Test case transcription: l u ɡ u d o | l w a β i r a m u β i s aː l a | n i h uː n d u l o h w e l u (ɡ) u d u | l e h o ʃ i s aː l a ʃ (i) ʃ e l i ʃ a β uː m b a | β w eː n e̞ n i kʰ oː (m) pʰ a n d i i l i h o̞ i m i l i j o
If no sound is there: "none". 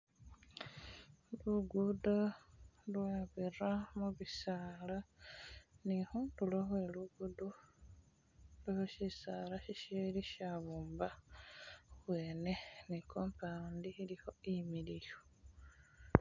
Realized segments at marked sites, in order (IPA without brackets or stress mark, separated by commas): ɡ, i, m